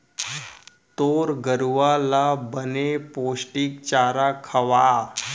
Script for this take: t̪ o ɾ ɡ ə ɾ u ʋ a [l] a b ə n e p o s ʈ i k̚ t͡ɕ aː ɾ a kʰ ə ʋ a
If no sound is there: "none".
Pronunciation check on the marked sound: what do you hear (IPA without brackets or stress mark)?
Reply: l